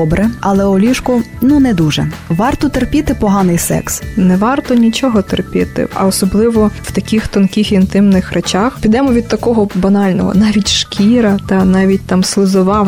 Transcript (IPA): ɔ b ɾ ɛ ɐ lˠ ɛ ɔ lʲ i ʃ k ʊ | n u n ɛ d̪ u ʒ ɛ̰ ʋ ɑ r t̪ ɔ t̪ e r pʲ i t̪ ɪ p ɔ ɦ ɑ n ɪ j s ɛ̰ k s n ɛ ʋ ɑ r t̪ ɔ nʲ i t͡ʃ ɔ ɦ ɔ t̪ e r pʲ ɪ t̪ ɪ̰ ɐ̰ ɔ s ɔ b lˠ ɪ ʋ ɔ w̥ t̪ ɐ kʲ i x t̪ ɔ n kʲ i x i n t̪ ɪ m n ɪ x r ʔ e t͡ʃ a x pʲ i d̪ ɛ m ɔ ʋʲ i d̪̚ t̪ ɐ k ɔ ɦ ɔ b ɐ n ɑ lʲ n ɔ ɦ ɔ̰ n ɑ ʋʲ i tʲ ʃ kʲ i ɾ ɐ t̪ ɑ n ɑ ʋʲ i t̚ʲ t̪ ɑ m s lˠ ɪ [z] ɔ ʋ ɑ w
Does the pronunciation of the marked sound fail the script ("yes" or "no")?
no